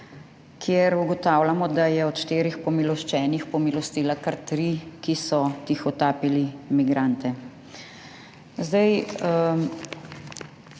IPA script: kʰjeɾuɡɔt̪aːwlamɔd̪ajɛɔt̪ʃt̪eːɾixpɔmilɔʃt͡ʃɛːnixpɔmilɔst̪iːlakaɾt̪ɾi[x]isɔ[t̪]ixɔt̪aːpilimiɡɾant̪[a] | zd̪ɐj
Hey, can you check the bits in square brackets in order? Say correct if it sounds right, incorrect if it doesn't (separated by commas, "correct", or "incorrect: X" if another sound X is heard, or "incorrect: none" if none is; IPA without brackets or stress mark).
incorrect: k, correct, incorrect: ɛ